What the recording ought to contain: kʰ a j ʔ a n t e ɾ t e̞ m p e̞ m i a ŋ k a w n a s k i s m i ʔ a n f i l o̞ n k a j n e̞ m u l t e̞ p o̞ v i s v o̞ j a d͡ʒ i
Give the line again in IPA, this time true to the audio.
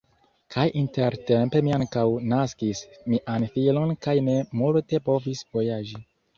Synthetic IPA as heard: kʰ a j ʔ i n t e ɾ t e̞ m p e̞ m i a ŋ k a w n a s k i s m i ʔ a n f i l o̞ n k a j n e̞ m u l t e̞ p o̞ v i s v o̞ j a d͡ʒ i